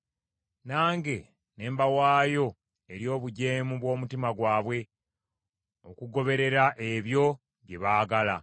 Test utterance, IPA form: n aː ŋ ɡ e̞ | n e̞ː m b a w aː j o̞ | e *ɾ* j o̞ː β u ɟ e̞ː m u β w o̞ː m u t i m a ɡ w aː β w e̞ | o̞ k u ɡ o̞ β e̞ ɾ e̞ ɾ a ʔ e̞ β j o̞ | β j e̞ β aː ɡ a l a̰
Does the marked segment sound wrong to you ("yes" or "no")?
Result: no